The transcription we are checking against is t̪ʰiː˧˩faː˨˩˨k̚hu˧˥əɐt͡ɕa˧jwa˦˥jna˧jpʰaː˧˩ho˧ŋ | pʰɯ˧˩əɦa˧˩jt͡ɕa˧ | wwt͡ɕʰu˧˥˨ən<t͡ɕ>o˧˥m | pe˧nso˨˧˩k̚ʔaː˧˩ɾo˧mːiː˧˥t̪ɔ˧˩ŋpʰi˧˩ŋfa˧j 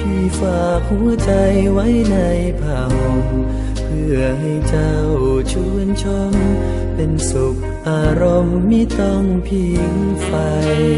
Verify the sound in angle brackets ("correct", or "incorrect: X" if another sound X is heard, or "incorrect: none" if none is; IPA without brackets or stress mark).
incorrect: t͡ɕʰ